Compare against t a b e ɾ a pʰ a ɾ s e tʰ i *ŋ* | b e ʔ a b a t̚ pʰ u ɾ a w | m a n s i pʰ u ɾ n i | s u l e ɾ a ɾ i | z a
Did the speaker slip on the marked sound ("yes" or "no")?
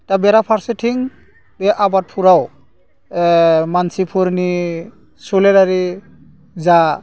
no